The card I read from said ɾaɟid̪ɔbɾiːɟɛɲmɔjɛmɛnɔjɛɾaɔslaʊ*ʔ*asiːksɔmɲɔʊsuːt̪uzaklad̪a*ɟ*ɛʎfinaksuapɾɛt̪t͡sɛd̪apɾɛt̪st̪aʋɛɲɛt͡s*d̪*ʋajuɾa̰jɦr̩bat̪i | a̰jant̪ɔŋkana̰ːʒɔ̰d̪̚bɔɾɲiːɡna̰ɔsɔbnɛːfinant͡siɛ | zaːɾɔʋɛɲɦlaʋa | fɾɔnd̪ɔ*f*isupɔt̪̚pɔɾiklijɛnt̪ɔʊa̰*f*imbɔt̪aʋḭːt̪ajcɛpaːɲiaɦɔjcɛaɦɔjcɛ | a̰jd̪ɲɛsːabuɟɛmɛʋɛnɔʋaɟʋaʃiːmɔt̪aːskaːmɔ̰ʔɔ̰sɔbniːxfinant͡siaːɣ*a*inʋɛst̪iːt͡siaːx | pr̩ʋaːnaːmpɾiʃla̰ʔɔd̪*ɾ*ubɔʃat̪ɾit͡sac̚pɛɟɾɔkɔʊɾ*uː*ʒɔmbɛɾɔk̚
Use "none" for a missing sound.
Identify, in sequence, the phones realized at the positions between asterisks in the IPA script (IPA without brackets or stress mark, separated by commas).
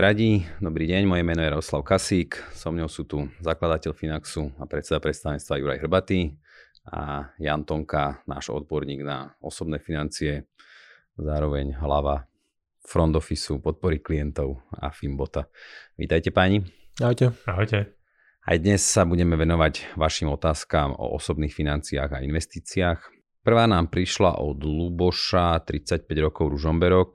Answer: k, c, t̪, f, f, a, l, u